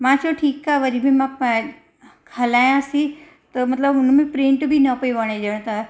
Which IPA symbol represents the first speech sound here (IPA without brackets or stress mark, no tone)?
m